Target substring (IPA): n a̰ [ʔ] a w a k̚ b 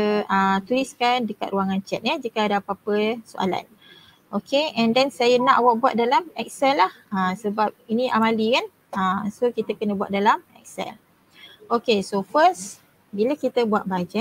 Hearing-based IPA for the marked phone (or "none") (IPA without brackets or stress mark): ʔ